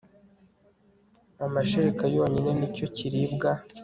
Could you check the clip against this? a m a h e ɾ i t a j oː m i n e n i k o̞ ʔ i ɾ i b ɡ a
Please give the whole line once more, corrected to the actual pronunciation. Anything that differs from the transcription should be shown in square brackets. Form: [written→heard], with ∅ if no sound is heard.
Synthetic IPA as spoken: a m a [h→ʃ] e ɾ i [t→k] a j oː [m→ɲ] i n e n i [k→c] o̞ [ʔ→c] i ɾ i b ɡ a